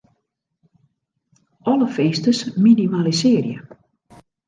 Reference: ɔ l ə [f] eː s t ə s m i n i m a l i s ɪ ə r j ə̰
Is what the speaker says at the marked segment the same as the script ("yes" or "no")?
yes